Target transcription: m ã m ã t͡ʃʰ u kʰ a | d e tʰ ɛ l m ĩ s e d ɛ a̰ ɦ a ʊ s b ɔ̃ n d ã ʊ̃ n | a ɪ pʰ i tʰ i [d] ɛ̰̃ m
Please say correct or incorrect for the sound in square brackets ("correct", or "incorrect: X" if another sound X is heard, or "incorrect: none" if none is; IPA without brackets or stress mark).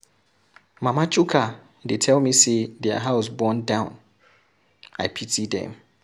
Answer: correct